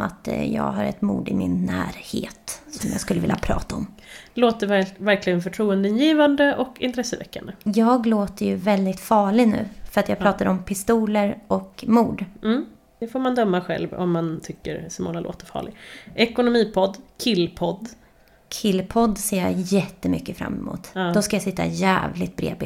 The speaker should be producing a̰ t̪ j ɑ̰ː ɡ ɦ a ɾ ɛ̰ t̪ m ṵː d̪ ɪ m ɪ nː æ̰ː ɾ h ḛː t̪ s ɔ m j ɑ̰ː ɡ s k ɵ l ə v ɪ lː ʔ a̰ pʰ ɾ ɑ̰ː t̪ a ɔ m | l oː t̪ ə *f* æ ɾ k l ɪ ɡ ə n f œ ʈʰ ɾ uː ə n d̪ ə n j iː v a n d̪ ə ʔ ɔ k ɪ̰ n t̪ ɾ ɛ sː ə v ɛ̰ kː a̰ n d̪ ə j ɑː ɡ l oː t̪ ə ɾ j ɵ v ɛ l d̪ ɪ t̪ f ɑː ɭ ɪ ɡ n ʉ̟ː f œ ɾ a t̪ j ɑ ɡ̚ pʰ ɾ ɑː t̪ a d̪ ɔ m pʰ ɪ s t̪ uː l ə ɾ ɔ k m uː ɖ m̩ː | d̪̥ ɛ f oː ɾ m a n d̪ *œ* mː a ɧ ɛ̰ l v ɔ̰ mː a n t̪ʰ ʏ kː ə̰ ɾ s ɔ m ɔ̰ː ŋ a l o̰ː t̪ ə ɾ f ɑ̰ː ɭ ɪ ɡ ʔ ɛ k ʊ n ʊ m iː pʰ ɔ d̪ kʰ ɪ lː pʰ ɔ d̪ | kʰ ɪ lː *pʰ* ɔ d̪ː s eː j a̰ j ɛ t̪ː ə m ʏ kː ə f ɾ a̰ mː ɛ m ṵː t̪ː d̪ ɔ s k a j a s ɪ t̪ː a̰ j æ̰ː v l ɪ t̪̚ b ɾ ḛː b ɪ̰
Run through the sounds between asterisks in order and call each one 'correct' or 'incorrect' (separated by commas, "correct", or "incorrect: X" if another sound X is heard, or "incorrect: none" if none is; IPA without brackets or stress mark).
incorrect: v, correct, correct